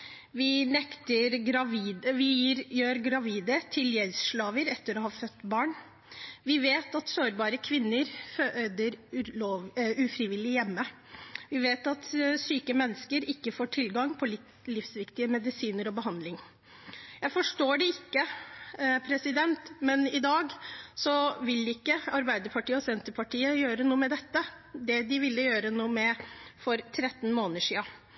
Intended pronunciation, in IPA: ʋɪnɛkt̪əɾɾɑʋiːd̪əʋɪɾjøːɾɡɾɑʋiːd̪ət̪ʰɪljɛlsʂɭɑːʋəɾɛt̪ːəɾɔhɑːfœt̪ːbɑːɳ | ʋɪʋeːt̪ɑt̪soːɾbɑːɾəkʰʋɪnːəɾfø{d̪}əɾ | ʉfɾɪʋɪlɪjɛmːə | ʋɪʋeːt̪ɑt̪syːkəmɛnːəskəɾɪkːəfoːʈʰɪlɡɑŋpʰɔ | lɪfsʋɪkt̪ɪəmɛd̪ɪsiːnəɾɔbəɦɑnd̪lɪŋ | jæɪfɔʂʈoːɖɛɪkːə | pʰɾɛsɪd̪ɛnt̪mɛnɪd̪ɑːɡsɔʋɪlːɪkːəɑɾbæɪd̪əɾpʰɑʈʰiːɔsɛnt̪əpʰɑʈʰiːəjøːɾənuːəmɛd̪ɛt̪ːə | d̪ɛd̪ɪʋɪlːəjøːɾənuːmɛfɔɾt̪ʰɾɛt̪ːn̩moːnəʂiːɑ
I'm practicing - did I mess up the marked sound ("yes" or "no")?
no